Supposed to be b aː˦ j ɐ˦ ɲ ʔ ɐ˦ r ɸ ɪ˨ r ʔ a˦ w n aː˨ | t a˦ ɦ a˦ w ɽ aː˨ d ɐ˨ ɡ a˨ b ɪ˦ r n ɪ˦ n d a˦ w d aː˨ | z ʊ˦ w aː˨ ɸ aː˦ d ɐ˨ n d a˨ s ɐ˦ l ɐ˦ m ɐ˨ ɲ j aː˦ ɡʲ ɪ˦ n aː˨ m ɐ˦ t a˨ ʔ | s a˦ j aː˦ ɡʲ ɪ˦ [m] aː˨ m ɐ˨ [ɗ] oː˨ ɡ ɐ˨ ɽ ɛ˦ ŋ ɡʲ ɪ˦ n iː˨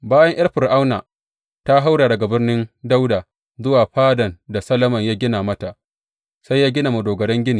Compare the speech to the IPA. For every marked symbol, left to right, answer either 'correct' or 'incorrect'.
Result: incorrect: n, incorrect: d

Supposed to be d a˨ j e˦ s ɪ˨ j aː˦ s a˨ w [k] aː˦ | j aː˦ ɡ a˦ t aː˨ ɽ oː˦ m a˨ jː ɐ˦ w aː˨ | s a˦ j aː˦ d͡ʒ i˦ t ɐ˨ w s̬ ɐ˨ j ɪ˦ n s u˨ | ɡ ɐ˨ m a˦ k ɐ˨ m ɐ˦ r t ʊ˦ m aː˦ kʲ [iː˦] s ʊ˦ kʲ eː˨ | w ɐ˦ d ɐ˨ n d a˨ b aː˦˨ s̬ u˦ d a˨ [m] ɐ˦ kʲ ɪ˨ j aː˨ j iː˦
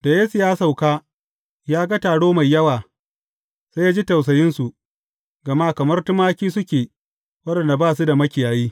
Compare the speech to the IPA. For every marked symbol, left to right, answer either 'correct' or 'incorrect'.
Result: correct, correct, correct

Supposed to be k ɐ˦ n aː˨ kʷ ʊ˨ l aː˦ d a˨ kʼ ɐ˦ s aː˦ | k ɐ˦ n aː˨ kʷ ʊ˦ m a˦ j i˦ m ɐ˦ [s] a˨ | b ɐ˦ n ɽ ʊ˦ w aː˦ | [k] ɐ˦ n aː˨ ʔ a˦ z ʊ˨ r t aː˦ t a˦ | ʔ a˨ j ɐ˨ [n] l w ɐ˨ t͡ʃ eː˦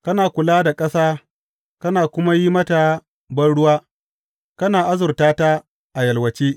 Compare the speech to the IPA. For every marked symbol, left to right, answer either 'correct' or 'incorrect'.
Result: incorrect: t, correct, incorrect: none

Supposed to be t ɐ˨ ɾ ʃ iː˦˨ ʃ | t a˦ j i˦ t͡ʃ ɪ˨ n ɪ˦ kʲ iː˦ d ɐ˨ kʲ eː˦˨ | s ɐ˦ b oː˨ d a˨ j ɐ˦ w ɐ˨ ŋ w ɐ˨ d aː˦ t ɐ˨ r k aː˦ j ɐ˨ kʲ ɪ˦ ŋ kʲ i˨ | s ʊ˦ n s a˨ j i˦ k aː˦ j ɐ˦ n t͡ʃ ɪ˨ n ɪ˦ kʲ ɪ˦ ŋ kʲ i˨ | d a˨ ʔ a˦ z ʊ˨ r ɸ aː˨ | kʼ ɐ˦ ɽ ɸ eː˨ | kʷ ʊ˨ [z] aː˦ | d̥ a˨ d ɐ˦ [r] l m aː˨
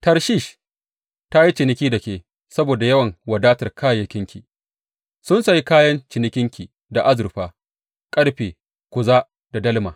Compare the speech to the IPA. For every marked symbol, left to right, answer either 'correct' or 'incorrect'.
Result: correct, incorrect: none

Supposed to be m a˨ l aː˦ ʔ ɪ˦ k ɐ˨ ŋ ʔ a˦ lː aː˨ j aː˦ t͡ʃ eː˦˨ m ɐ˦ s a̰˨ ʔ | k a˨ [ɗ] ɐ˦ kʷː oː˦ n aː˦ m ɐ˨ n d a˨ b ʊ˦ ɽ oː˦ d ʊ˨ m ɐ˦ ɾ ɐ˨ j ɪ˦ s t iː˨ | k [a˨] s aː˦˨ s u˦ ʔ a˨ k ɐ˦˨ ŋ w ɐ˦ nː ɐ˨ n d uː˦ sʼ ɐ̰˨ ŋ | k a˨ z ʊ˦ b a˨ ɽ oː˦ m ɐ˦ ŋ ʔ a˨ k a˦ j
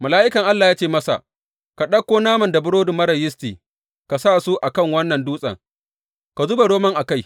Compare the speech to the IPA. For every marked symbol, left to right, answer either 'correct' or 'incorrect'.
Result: correct, correct

